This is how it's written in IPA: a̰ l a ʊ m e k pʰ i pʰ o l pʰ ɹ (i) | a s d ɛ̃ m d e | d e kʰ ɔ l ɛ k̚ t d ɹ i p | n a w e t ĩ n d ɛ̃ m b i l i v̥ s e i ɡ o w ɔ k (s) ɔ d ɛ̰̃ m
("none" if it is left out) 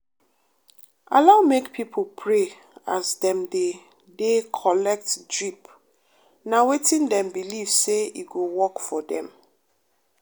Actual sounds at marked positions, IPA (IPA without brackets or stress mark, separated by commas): e, f